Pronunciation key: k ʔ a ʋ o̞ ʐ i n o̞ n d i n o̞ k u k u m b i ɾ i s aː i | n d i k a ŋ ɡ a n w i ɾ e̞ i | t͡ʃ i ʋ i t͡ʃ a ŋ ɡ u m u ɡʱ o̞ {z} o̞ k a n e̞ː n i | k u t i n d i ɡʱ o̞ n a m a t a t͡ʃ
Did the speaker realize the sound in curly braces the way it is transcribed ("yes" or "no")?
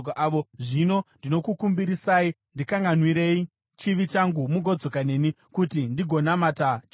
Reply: no